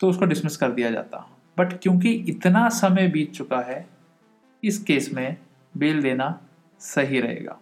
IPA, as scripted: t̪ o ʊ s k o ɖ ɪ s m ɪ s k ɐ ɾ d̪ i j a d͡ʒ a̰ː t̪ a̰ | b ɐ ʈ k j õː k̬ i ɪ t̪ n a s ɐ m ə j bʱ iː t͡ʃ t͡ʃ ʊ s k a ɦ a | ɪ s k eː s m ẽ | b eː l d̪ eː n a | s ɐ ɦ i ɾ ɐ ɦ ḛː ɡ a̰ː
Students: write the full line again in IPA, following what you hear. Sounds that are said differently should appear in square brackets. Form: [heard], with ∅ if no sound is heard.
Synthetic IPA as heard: t̪ o ʊ s k o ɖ ɪ s m ɪ s k ɐ ɾ d̪ i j a d͡ʒ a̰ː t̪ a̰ | b ɐ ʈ k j õː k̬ i ɪ t̪ n a s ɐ m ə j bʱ iː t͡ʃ t͡ʃ ʊ [∅] k a ɦ [ɛ] | ɪ s k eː s m ẽ | b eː l d̪ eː n a | s ɐ ɦ i ɾ ɐ ɦ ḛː ɡ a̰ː